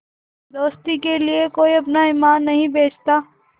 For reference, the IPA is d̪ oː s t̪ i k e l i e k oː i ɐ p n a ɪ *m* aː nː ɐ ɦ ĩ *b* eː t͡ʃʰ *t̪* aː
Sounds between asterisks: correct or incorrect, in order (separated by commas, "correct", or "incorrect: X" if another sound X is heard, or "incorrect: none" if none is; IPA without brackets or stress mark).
correct, correct, correct